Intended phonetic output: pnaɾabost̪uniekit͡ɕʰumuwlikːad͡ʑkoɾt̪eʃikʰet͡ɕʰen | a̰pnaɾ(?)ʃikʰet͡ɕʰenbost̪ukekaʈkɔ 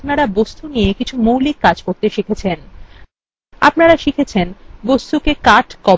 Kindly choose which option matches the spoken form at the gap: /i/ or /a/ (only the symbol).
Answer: a